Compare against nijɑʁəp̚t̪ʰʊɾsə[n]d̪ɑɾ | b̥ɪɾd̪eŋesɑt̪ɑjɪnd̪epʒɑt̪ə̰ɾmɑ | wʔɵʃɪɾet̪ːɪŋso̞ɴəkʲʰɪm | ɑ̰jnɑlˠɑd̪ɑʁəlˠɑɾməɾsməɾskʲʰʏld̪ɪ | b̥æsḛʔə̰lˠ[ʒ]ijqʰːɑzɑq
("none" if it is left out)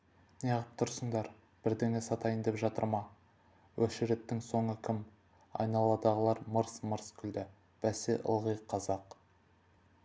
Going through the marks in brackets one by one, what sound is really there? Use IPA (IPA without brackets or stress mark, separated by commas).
ɴ, ʁ